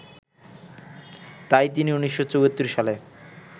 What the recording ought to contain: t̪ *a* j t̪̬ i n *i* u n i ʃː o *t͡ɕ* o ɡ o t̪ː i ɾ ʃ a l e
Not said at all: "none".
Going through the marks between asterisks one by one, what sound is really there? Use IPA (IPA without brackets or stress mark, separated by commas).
a, i, t͡ɕ